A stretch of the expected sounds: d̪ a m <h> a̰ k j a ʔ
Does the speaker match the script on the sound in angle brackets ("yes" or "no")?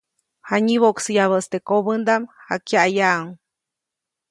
yes